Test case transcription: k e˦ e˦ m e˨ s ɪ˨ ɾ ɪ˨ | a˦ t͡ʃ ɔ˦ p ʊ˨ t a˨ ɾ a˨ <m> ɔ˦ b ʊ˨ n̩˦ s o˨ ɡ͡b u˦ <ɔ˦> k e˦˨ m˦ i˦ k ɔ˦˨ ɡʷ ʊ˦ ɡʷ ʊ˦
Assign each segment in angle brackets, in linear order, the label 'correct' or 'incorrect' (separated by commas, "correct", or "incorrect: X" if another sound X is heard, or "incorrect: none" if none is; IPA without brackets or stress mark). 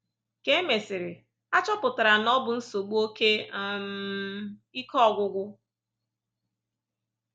incorrect: n, incorrect: o˦